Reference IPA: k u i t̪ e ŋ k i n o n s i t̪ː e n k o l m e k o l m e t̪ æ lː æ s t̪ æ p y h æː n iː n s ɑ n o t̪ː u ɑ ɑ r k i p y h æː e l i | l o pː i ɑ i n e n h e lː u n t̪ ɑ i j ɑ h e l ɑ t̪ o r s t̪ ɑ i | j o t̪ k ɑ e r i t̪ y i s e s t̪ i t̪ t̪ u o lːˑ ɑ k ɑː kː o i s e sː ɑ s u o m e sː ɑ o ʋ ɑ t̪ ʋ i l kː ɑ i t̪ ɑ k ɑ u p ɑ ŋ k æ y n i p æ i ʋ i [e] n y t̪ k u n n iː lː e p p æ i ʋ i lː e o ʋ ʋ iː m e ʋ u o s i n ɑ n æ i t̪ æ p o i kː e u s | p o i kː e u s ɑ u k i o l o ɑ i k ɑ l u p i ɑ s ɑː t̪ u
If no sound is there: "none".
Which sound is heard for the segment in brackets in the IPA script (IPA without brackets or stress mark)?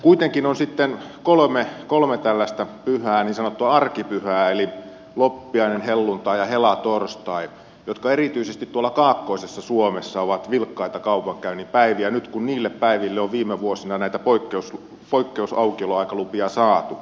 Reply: æ